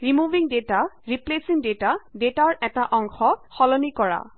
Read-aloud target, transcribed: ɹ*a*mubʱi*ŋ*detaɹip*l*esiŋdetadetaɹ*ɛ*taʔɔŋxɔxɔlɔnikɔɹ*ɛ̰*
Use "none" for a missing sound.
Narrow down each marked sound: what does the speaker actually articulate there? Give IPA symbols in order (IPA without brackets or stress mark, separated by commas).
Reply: i, ŋ, l, ɛ, a̰